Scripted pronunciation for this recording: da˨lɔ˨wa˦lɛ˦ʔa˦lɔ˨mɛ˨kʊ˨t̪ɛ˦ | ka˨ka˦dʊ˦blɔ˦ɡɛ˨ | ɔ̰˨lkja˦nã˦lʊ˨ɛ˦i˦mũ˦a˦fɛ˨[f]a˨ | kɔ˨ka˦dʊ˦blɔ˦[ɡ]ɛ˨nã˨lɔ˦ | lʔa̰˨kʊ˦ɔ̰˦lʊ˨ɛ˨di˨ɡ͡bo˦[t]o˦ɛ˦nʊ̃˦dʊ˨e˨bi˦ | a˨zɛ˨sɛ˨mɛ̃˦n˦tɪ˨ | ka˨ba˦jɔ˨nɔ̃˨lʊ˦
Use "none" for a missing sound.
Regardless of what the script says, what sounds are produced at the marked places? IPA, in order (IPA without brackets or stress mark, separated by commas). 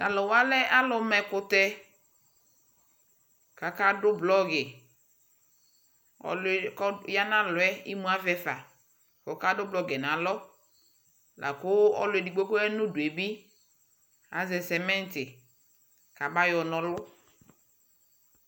f, ɡ, k